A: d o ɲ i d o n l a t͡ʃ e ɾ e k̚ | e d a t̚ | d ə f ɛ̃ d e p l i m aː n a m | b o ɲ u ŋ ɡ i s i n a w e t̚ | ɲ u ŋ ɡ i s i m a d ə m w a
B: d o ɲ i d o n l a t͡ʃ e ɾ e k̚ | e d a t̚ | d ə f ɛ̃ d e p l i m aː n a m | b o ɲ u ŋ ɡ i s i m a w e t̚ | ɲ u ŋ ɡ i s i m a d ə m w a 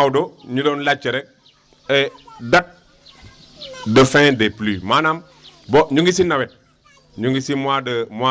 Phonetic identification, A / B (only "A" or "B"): A